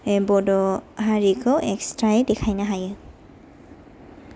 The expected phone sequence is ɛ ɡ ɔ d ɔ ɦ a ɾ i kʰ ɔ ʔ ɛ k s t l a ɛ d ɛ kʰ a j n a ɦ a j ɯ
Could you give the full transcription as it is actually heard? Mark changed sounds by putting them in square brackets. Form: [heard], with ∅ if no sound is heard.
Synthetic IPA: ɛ [b] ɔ d ɔ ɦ a [ɹ] i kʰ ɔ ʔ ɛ k s t [ɹ] a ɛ d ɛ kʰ a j n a ɦ a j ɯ